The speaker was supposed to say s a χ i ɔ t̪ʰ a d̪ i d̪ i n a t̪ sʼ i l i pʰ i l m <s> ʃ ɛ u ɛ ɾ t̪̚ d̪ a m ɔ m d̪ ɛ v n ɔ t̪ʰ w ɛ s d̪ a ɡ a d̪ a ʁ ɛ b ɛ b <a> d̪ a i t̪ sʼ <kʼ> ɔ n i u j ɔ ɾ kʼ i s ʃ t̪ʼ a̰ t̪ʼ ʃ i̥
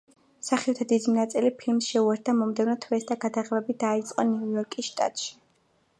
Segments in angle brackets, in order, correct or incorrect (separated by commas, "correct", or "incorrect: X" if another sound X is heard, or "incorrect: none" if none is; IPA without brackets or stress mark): correct, incorrect: i, incorrect: qʼ